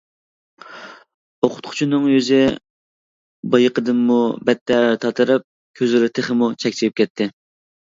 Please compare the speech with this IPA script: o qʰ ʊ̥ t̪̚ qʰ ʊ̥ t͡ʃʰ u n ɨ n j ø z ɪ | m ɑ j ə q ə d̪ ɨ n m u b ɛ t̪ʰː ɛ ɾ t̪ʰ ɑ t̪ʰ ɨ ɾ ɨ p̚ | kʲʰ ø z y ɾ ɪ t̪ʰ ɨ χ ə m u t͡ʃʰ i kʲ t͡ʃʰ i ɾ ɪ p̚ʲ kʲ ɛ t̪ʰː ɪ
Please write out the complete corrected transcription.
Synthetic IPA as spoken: o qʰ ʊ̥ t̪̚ qʰ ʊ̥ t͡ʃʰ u n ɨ ŋ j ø z ɪ | b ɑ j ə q ə d̪ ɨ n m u b ɛ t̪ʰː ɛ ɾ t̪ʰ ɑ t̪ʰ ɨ ɾ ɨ p̚ | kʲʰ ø z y ɾ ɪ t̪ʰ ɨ χ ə m u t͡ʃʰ ɛ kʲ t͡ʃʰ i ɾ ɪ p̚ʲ kʲ ɛ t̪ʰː ɪ